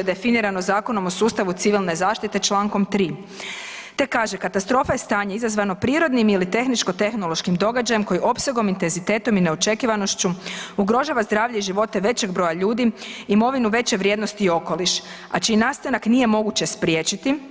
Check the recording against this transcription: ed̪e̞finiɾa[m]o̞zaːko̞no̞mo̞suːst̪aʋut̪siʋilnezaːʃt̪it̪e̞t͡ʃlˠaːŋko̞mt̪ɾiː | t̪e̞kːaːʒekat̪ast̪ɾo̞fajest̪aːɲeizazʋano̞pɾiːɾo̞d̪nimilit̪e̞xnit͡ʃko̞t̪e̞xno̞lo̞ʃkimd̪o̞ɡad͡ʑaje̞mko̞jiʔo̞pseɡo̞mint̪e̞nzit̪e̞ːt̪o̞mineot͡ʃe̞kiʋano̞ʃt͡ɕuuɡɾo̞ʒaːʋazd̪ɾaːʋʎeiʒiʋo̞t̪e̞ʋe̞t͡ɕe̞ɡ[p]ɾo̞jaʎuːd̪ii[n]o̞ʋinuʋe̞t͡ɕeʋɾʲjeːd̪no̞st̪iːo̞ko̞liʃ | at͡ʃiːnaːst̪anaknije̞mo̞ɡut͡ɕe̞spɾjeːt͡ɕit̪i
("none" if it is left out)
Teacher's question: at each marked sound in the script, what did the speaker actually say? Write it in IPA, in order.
n, b, m

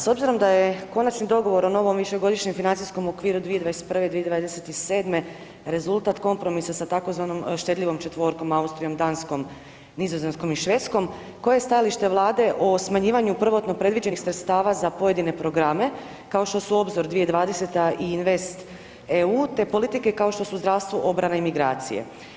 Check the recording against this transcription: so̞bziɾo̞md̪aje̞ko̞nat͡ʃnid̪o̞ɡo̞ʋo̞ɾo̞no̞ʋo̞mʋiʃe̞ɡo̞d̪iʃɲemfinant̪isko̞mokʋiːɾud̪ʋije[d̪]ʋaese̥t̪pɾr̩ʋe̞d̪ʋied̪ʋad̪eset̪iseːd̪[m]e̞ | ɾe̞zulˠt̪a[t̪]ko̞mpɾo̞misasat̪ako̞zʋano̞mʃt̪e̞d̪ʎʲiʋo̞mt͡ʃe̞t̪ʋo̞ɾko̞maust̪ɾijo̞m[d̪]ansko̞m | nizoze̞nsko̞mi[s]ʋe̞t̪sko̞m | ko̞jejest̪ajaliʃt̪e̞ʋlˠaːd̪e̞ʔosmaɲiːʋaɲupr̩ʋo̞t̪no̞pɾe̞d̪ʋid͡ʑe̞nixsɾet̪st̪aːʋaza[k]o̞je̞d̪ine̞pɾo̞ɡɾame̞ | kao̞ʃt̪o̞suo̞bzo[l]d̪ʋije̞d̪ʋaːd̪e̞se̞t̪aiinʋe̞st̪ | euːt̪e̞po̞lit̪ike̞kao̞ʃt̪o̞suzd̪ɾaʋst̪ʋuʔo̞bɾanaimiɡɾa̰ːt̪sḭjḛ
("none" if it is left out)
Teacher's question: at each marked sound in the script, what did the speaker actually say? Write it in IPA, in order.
d̪, m, t̪, d̪, ʃ, p, ɾ

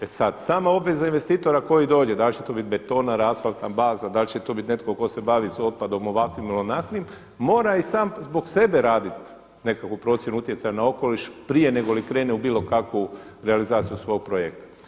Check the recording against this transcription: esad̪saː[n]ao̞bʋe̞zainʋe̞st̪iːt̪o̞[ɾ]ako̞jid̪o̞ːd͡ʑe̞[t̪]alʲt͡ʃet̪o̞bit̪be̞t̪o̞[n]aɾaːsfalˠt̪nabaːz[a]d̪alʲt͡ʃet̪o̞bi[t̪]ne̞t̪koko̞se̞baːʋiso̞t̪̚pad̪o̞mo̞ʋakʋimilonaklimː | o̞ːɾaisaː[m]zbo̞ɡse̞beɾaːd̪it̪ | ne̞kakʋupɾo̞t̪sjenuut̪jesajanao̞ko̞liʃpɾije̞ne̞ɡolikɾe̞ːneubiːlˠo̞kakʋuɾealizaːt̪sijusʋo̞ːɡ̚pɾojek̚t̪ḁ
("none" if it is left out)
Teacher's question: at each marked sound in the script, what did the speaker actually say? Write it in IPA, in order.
m, ɾ, d̪, n, a, t̪, m

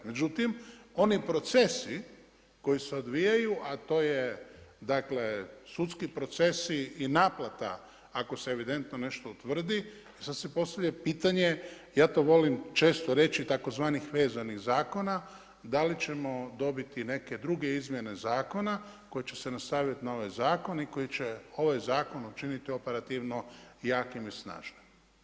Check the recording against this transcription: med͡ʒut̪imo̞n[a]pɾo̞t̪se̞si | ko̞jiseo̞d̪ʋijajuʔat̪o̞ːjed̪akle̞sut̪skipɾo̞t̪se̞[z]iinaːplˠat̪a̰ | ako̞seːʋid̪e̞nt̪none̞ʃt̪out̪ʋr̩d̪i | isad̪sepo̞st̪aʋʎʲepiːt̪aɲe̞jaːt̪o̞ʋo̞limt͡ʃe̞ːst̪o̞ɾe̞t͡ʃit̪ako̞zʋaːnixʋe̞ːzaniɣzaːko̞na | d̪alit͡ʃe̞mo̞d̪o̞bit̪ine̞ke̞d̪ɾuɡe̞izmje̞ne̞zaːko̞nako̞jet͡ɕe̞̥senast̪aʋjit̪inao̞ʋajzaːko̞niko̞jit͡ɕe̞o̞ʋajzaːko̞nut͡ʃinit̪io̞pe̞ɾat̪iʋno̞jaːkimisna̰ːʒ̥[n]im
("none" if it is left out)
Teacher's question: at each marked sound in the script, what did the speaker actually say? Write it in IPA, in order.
i, s, n

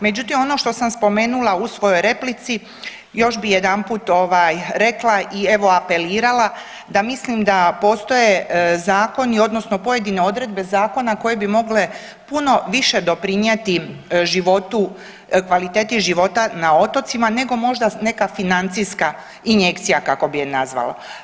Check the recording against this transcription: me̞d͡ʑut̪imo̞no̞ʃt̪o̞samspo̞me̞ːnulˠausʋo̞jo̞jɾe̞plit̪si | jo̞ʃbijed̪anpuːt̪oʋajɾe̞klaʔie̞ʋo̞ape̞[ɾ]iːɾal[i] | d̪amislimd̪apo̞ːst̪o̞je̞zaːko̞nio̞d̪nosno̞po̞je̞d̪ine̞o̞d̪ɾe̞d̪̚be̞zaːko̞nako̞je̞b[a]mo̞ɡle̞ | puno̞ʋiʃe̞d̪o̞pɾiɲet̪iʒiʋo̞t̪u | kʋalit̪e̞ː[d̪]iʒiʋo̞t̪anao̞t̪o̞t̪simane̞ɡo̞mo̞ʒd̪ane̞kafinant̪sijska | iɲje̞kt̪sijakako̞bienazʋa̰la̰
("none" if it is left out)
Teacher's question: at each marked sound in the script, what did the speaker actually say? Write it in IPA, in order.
l, a, i, t̪

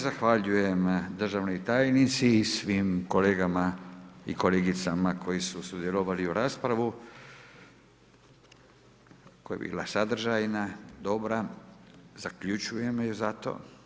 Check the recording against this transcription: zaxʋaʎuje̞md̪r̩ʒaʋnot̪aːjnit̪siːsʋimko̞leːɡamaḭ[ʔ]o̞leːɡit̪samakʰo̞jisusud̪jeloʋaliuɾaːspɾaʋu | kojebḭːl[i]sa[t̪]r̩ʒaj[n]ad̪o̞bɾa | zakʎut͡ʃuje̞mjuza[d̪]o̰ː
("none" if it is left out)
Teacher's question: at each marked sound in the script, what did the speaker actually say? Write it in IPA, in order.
k, a, d̪, n, t̪

